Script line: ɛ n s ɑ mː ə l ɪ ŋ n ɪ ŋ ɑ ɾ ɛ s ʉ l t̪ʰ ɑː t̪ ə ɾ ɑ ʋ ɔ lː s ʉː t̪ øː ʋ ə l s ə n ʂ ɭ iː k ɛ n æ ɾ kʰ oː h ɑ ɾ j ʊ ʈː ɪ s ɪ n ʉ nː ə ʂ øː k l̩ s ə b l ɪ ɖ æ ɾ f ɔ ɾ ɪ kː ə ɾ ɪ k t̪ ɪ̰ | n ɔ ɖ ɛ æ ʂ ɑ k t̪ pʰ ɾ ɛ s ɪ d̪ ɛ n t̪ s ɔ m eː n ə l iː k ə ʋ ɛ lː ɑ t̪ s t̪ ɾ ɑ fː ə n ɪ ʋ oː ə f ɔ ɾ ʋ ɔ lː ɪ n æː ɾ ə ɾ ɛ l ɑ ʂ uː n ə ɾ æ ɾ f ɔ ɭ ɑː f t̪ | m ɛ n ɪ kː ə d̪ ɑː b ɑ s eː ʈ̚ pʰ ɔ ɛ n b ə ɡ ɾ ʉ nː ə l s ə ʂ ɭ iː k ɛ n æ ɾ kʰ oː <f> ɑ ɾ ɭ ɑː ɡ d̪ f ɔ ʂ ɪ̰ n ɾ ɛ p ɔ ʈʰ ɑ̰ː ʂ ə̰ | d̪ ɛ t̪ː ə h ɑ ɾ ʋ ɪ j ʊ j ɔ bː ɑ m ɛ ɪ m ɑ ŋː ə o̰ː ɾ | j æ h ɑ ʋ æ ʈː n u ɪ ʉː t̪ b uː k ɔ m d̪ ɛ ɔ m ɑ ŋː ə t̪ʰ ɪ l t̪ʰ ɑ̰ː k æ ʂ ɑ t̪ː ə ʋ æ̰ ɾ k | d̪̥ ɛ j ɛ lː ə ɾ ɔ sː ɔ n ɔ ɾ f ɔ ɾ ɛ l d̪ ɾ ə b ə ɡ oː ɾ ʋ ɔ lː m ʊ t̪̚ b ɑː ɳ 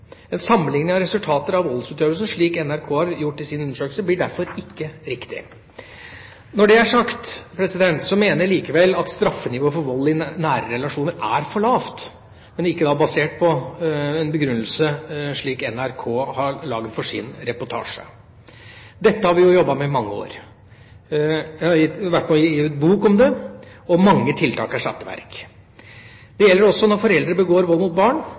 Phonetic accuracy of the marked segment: incorrect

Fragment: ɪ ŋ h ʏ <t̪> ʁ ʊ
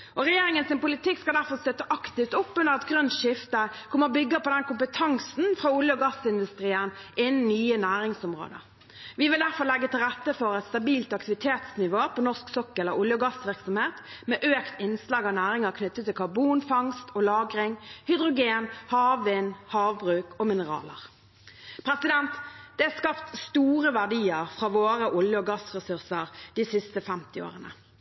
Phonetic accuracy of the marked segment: incorrect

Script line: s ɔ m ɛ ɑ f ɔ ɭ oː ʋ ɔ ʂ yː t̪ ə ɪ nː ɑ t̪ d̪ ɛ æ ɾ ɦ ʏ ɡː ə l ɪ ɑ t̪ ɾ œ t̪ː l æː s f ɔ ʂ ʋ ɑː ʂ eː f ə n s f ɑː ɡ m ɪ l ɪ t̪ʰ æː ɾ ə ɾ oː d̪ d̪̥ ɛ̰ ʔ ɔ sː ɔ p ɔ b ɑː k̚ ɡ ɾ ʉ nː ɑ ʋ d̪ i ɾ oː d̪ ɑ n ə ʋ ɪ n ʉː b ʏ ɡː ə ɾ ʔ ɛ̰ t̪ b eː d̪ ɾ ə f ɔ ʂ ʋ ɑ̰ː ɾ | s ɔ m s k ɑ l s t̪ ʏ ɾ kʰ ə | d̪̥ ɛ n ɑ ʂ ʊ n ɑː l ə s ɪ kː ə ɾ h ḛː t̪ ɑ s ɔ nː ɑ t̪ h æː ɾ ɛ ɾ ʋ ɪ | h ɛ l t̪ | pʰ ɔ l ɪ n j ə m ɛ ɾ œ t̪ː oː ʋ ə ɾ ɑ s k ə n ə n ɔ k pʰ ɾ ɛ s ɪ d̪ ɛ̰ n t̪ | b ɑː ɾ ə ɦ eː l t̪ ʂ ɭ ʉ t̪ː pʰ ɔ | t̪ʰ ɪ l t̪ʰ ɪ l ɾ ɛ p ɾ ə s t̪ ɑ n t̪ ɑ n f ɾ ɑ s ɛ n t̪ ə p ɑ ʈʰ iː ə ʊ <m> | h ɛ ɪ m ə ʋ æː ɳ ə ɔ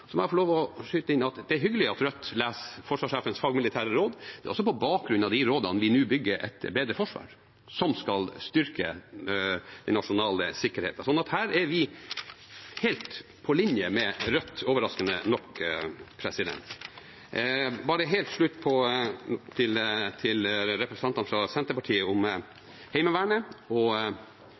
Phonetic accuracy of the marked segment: correct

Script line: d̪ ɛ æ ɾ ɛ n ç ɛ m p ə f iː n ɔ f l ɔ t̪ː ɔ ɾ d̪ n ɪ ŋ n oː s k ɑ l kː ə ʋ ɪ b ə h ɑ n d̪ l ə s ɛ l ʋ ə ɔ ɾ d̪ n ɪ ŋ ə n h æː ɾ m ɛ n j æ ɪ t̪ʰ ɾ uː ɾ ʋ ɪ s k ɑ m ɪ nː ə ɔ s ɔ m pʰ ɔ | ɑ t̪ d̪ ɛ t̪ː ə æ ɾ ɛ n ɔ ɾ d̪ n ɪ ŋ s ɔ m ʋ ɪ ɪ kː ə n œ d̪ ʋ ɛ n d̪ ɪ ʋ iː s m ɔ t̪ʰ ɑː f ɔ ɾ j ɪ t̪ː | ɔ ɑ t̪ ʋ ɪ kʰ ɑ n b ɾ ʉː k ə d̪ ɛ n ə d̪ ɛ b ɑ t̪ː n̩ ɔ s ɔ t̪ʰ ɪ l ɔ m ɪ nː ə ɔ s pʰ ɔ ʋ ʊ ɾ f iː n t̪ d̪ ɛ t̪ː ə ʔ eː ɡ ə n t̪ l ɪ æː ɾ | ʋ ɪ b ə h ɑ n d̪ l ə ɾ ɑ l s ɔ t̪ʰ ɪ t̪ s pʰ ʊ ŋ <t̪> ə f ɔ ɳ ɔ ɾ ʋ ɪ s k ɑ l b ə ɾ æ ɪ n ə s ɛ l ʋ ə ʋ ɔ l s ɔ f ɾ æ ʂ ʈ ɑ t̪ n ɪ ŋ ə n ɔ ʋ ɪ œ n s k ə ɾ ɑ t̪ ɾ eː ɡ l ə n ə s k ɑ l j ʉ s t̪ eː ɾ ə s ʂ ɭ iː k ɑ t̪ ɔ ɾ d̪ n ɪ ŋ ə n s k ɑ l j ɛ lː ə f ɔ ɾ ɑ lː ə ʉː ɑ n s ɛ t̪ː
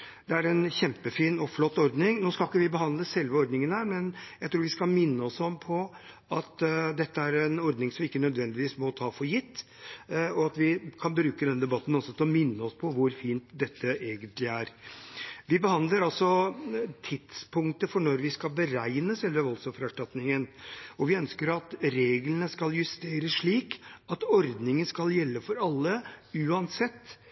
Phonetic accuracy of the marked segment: correct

